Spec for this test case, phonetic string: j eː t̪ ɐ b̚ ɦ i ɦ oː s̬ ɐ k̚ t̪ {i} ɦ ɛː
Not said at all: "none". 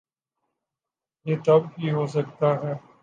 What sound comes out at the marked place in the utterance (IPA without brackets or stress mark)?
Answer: a